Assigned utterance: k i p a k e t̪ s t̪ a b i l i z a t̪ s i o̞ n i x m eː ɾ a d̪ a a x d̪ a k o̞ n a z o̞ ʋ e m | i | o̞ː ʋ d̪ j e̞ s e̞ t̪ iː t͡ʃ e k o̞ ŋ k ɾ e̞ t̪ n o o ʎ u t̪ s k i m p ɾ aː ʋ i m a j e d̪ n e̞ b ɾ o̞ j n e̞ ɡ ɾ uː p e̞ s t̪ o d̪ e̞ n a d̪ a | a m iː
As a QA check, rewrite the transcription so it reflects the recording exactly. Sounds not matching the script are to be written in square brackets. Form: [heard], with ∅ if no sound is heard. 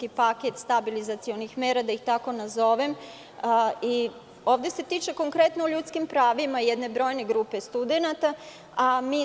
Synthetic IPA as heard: k i p a k e t̪ s t̪ a b i l i z a t̪ s i o̞ n i x m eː ɾ a d̪ a [i] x [t̪] a k o̞ n a z o̞ ʋ e m | i | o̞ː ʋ d̪ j e̞ s e̞ t̪ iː t͡ʃ e k o̞ ŋ k ɾ e̞ t̪ n o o ʎ u t̪ s k i m p ɾ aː ʋ i m a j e d̪ n e̞ b ɾ o̞ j n e̞ ɡ ɾ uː p e̞ s t̪ [u] d̪ e̞ n a [t̪] a | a m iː